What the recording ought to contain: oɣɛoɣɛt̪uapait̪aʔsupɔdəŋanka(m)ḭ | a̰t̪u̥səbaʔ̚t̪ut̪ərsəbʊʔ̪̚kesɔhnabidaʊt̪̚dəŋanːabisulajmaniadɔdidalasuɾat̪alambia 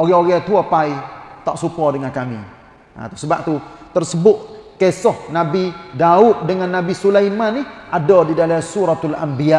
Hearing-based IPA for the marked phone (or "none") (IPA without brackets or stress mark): m